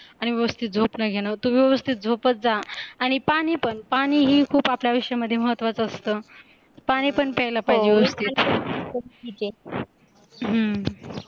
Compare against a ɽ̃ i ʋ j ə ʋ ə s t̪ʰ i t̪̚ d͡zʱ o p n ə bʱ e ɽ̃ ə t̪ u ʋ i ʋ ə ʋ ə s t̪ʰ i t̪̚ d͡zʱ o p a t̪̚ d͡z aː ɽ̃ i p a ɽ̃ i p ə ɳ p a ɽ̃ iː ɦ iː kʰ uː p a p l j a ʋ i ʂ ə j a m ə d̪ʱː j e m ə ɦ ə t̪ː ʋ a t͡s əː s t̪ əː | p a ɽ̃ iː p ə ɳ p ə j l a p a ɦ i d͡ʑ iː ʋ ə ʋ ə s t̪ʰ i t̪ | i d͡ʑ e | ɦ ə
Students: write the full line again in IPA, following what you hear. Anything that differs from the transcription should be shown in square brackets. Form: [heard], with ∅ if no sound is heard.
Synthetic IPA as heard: a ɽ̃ i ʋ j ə ʋ ə s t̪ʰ i t̪̚ d͡zʱ o p n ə [ɡʱ] e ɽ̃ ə t̪ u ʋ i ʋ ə ʋ ə s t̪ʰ i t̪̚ d͡zʱ o p [ə] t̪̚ d͡z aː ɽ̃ i p a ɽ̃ i p ə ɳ p a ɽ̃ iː ɦ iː kʰ uː p a p l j a ʋ i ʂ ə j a m ə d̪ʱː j e m ə ɦ ə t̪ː ʋ a t͡s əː s t̪ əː | p a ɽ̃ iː p ə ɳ p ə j l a p a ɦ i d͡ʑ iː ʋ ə ʋ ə s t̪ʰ i t̪ | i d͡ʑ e | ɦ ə